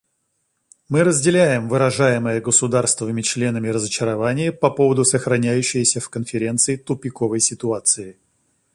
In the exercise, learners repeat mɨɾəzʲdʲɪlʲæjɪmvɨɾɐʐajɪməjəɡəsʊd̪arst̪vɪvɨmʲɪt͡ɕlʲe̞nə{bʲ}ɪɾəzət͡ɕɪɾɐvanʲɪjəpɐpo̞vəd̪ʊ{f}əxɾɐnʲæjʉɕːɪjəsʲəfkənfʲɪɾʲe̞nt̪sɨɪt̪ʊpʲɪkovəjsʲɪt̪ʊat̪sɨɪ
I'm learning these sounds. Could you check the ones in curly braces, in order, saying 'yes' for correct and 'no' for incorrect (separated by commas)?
no, no